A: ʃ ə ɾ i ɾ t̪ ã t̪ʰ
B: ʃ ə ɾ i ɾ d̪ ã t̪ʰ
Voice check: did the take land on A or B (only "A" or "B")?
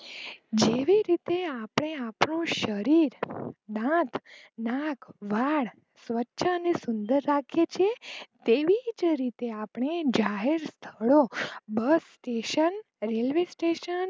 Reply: B